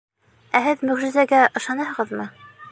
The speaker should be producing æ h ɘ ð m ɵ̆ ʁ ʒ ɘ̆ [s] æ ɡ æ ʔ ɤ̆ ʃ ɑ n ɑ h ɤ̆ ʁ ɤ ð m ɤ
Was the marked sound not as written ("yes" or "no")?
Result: yes